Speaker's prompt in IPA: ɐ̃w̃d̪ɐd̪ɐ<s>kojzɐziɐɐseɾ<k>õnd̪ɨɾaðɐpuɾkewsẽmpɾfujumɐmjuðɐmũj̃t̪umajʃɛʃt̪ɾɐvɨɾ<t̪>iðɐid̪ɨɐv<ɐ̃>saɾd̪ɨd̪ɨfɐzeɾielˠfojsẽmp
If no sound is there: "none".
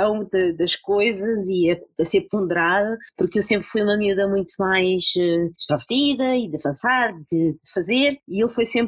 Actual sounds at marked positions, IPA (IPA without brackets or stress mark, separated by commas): ʃ, p, t̪, ɐ̃